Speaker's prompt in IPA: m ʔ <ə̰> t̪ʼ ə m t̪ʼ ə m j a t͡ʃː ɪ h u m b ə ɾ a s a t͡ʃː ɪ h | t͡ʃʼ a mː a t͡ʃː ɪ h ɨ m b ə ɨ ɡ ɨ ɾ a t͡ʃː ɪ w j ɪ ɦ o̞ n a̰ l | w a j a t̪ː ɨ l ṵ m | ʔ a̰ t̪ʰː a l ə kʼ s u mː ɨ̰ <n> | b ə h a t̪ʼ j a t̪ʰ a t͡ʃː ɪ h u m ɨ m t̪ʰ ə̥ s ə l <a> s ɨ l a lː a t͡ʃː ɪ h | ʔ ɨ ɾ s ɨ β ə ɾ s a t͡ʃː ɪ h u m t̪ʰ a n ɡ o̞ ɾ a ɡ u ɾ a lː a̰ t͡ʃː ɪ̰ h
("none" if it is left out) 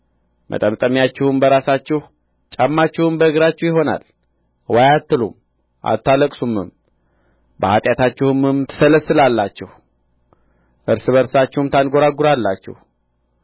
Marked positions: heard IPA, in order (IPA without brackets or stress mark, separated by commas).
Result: ə̰, m, ə